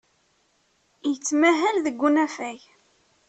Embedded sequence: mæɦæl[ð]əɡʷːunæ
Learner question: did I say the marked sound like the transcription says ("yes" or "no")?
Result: yes